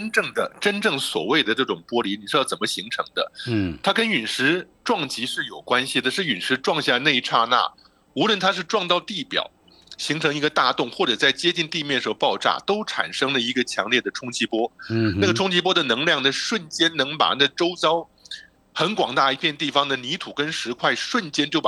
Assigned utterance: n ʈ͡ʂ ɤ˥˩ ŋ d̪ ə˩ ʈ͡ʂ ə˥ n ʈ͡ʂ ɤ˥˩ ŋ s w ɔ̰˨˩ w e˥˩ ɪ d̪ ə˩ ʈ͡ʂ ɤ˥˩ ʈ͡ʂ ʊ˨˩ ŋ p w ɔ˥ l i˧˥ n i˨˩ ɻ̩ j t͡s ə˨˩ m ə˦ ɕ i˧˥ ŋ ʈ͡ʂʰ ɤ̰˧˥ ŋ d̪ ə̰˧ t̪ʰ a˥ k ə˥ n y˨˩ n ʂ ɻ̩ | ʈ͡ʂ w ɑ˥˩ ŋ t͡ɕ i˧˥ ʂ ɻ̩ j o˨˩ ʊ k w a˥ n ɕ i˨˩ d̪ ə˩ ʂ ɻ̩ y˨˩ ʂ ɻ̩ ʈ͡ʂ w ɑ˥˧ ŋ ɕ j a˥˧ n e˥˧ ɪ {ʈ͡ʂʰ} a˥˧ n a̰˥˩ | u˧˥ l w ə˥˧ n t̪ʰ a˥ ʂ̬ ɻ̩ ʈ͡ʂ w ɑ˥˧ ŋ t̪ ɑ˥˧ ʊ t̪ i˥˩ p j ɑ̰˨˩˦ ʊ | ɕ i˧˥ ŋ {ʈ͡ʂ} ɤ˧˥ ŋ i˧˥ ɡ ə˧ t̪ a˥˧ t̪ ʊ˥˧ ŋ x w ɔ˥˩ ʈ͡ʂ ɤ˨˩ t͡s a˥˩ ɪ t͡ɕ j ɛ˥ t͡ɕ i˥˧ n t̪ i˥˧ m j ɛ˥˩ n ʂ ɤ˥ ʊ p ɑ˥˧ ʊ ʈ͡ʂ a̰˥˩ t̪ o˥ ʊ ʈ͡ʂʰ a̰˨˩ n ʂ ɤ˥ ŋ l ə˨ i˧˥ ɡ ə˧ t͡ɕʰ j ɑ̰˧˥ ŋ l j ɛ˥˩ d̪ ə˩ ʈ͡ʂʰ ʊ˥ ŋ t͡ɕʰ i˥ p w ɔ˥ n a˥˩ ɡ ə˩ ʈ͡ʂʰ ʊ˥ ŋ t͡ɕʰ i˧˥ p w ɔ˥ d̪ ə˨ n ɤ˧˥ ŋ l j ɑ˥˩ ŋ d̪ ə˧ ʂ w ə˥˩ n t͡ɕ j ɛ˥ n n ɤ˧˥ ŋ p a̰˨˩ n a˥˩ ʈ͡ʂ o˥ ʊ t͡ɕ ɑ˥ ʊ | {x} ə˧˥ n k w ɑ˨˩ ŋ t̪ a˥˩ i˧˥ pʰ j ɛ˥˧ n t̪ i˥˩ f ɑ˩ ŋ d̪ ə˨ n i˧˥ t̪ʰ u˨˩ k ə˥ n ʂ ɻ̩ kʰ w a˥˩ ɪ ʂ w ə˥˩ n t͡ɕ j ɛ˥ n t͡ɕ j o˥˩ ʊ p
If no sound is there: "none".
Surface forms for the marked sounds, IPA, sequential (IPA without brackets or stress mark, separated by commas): ʈ͡ʂʰ, ʈ͡ʂʰ, x